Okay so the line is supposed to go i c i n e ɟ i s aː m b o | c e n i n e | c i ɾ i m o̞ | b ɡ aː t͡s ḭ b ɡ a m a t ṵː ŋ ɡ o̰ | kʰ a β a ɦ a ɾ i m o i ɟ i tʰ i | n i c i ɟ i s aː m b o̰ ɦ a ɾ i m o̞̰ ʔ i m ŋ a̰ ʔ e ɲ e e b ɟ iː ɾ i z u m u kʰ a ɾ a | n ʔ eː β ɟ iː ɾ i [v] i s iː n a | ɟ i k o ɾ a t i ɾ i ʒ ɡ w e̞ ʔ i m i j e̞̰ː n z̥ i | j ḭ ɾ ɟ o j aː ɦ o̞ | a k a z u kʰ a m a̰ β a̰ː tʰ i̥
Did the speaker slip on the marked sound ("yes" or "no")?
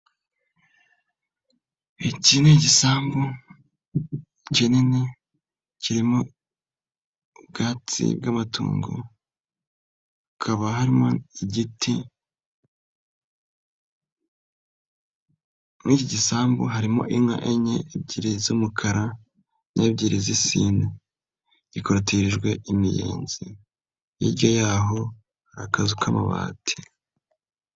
yes